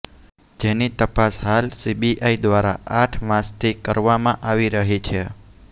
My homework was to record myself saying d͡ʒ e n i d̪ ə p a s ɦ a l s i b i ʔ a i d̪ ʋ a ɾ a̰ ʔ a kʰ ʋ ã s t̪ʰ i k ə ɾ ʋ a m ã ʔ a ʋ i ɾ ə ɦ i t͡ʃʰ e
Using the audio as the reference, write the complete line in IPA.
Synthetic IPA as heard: d͡ʒ e n i t̪ ə p a s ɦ a l s i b i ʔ a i d̪ ʋ a ɾ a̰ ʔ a ʈʰ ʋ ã s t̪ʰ i k ə ɾ ʋ a m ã ʔ a ʋ i ɾ ə ɦ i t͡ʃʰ e